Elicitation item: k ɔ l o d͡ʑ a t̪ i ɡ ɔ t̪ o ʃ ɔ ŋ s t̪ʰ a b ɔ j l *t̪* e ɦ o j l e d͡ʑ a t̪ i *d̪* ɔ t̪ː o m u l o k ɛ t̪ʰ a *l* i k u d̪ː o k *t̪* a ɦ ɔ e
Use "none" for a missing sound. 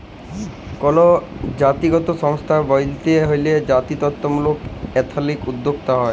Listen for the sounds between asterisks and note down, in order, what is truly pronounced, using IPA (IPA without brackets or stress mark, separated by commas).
t̪, t̪, l, t̪